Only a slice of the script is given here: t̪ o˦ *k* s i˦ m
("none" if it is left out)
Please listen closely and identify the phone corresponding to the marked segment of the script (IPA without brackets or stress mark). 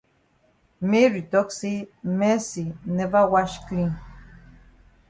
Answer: k